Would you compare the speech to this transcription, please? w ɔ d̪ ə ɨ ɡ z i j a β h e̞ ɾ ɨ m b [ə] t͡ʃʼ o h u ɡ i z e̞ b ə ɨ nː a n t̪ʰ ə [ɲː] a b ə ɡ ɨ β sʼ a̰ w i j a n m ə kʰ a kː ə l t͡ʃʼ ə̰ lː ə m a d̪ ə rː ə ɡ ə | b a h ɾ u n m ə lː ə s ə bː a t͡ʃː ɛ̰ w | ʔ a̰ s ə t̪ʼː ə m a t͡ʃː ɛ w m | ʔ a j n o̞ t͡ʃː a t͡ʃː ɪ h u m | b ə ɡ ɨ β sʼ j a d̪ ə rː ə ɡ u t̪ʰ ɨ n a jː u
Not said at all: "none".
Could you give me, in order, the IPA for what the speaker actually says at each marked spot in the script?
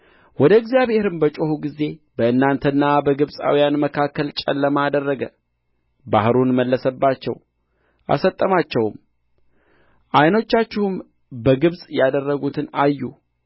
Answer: ə, nː

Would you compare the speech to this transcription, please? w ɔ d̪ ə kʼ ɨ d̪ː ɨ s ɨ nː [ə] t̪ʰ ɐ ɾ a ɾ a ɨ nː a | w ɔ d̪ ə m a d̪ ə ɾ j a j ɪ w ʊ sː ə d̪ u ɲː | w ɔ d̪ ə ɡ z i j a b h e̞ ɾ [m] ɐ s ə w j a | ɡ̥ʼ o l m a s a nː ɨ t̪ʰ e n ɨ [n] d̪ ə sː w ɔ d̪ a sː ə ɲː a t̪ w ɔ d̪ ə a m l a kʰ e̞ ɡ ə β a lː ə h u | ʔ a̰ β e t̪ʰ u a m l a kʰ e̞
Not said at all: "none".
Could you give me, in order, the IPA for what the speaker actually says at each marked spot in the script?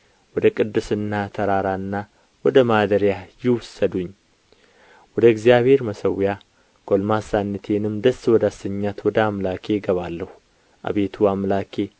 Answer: a, m, m

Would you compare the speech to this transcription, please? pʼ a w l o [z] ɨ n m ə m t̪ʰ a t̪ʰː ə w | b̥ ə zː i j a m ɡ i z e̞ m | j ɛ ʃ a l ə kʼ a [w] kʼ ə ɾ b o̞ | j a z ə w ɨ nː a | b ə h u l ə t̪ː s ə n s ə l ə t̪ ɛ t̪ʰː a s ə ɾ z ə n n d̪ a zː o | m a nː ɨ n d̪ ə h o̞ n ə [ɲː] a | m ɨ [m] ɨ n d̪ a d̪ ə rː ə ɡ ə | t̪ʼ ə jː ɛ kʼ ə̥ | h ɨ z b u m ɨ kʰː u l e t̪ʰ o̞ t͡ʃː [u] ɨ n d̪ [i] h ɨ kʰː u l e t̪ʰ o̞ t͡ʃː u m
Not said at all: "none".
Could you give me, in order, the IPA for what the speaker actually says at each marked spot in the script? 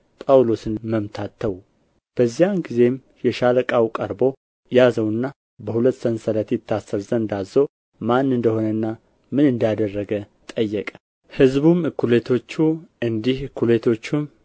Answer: s, w, nː, n, u, i

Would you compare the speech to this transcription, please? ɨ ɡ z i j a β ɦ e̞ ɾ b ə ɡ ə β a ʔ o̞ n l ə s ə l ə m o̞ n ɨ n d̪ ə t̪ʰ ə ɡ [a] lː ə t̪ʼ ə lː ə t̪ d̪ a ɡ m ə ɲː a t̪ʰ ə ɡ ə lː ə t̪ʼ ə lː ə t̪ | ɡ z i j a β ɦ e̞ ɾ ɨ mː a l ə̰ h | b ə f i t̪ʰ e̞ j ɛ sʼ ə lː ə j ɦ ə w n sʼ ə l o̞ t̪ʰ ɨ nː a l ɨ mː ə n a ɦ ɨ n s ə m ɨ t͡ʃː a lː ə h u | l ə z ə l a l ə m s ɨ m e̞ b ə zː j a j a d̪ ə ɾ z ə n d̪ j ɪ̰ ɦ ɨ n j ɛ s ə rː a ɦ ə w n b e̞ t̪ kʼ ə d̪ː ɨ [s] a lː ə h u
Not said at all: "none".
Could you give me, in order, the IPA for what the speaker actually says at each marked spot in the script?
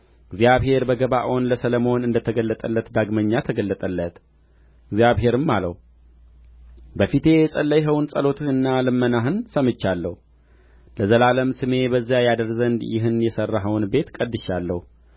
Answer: ə, ʃ

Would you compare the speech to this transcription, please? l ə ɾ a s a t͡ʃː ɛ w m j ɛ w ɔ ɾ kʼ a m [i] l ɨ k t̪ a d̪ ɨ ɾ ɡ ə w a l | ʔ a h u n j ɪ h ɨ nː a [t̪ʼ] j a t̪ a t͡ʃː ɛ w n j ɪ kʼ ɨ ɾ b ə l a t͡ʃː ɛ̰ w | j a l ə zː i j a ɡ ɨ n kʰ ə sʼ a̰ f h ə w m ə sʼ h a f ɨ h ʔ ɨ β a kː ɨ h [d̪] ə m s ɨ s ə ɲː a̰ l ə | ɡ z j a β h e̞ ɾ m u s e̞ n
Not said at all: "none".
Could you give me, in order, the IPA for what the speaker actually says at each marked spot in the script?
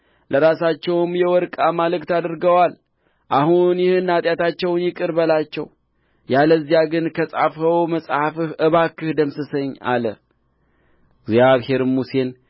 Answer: a, t̪ʼ, d̪

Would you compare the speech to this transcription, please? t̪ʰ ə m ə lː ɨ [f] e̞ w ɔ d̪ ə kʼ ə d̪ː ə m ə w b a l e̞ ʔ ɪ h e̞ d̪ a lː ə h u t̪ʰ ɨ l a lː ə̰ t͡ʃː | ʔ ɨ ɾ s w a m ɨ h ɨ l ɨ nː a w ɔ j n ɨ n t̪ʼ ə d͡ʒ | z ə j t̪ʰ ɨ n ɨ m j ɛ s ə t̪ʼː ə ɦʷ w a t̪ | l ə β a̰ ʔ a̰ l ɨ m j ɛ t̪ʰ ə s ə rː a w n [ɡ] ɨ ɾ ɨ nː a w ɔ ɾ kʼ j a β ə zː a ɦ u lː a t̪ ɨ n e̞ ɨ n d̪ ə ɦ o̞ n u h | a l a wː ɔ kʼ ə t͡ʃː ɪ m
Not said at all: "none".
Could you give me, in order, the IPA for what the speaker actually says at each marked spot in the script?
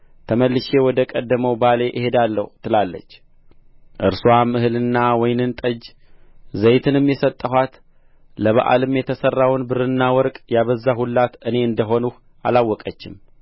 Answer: ʃ, b

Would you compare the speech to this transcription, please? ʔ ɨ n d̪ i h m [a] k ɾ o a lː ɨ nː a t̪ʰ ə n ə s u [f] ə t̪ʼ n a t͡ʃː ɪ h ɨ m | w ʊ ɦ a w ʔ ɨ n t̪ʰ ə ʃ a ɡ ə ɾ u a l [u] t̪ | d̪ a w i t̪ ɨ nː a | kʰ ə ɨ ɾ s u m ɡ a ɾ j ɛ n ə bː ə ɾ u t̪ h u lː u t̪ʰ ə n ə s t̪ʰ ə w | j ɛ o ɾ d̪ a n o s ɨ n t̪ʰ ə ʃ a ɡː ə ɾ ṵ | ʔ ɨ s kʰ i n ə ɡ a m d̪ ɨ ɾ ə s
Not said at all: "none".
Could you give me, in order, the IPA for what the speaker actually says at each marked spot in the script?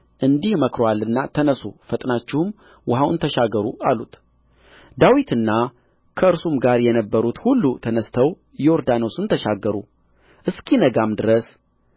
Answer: ə, f, u

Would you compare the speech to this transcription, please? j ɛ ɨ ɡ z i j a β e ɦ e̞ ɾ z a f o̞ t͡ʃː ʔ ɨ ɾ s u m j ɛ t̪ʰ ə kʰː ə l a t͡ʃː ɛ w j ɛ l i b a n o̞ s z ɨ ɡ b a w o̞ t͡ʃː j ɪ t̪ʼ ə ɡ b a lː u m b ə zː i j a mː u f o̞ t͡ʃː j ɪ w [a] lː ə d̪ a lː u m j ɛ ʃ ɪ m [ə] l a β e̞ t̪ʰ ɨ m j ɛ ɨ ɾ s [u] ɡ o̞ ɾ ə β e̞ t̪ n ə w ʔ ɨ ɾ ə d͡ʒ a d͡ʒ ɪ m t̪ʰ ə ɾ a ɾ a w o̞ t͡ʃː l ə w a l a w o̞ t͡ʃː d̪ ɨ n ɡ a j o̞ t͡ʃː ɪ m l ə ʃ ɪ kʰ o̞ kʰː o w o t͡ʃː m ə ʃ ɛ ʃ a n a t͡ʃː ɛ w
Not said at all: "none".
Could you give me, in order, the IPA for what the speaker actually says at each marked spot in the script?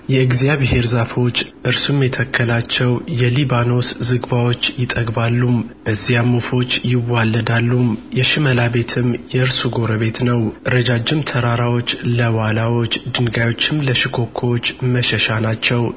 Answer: a, ə, u

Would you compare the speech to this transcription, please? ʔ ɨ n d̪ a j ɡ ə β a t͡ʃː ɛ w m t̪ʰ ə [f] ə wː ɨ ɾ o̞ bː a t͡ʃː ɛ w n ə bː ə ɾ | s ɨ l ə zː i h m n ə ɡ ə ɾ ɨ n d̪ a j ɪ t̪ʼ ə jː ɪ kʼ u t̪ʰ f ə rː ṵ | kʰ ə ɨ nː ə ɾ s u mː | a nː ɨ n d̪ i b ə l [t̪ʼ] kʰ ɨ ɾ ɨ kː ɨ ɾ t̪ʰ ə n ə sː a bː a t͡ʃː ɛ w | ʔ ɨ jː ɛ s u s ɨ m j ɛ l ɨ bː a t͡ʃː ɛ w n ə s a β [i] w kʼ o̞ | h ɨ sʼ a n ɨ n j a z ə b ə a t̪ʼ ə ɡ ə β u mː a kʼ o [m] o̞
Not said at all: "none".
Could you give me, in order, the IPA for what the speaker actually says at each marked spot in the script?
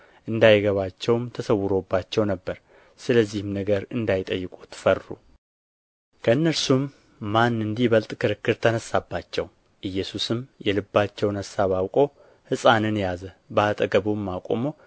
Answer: s, t̪ʼ, a, m

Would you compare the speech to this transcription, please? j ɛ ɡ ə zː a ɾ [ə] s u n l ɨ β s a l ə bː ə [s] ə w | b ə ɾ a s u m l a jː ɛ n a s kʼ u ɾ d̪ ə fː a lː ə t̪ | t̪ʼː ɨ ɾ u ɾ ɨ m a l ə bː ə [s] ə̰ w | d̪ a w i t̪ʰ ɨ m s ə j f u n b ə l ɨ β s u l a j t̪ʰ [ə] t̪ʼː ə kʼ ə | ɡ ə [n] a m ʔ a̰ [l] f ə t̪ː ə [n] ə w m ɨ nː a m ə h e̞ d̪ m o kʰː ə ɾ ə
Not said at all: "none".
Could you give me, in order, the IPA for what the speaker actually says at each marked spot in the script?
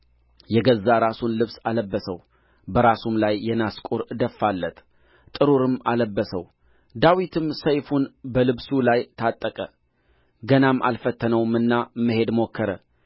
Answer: a, s, s, a, n, l, n

